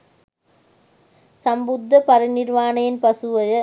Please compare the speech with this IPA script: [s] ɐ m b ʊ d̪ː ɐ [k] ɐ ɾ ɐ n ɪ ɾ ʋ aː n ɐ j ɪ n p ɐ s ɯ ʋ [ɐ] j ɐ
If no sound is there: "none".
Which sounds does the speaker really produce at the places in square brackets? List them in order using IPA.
s, p, ɐ

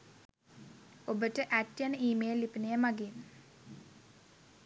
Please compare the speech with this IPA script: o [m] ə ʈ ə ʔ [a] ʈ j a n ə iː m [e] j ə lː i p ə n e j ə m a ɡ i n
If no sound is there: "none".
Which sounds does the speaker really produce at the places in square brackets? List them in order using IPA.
b, æ, e

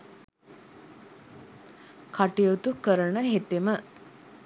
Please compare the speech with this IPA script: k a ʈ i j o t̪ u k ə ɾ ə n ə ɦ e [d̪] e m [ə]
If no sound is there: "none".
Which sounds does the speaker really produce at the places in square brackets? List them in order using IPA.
t̪, ə

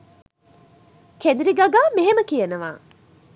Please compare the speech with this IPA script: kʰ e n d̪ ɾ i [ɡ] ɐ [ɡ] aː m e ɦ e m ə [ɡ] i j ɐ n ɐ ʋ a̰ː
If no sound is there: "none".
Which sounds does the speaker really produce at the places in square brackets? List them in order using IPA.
ɡ, ɡ, k

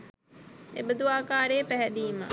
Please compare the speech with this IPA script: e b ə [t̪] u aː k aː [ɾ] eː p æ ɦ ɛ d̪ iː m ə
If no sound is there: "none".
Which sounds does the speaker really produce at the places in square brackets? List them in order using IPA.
d̪, ɾ

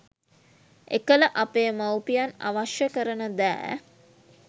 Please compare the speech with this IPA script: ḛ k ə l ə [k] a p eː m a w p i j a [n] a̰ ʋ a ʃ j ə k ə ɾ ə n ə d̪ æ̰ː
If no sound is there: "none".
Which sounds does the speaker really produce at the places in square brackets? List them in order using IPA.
ʔ, n

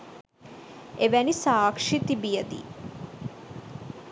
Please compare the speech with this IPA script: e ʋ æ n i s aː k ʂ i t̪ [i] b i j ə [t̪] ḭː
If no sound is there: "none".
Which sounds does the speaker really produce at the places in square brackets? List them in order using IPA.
i, d̪

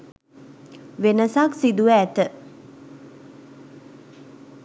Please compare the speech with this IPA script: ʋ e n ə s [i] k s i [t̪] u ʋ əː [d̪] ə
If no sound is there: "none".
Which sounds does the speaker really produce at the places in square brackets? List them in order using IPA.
a, d̪, t̪

